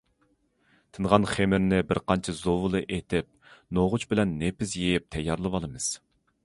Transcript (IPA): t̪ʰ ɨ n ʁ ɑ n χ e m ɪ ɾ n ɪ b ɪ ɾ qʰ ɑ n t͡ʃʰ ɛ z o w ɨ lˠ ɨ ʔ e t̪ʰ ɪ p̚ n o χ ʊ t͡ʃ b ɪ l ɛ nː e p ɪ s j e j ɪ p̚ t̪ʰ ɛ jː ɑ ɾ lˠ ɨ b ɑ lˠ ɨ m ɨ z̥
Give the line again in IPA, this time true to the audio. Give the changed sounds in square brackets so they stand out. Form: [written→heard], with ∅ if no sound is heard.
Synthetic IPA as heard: t̪ʰ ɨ n ʁ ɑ n χ e m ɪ ɾ n ɪ b ɪ ɾ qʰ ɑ n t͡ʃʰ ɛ z o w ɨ lˠ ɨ ʔ e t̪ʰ ɪ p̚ n o [χ→ʁ] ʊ t͡ʃ b ɪ l ɛ nː e p ɪ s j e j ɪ p̚ t̪ʰ ɛ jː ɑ ɾ lˠ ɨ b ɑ lˠ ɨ m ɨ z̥